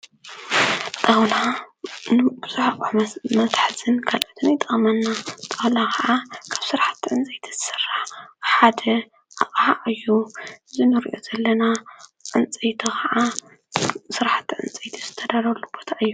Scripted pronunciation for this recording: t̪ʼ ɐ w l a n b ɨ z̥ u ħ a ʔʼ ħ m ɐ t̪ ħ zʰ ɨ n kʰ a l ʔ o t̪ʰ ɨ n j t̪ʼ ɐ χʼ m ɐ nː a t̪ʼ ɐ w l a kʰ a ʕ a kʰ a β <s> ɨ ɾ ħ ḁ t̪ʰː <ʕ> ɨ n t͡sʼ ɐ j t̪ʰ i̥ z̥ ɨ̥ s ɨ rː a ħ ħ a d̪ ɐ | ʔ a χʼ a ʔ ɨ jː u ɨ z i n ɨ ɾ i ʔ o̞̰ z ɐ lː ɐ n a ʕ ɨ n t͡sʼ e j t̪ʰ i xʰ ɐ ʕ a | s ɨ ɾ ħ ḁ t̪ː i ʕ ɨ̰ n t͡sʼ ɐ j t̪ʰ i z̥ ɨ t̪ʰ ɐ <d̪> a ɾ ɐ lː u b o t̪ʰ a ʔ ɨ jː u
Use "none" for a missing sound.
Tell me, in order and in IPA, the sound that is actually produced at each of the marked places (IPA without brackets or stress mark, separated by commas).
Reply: s, ʕ, d̪